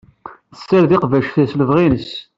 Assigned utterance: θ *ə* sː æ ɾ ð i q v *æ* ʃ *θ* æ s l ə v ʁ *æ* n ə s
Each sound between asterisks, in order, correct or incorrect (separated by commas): correct, correct, correct, incorrect